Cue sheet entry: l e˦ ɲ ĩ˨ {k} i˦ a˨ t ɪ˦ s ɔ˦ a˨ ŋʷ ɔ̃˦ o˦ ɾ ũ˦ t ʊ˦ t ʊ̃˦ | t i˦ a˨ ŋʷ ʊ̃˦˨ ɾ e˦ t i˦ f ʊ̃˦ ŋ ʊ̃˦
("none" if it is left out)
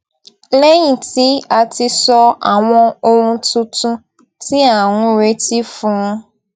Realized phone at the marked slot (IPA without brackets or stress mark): t